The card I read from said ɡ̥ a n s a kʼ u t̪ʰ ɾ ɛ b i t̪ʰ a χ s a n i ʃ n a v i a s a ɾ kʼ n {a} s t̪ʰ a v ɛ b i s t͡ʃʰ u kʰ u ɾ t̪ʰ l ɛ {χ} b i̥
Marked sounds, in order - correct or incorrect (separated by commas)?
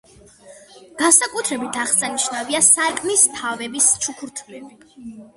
incorrect, incorrect